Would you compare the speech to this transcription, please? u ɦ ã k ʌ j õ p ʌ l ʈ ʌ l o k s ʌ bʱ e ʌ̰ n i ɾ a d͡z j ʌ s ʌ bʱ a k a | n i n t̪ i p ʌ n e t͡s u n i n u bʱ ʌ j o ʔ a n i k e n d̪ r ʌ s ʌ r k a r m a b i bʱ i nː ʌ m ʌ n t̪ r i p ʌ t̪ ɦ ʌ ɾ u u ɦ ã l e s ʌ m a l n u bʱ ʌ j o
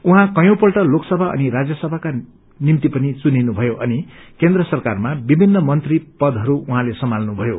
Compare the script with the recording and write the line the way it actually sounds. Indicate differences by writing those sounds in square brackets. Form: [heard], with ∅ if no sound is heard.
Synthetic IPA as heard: u ɦ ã k ʌ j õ p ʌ l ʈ ʌ l o k s ʌ bʱ [a] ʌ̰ n i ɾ a d͡z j ʌ s ʌ bʱ a k a | n i [m] t̪ i p ʌ n [i] t͡s u n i n u bʱ ʌ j o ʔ [ʌ] n i k e n d̪ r ʌ s ʌ r k a r m a b i bʱ i nː ʌ m ʌ n t̪ r i p ʌ [d̪] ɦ ʌ ɾ u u ɦ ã l e s ʌ m a l n u bʱ ʌ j o